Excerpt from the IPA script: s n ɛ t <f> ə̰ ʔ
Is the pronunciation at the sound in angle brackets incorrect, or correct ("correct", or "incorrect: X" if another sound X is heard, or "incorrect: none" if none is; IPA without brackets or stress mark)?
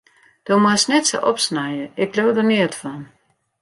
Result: incorrect: s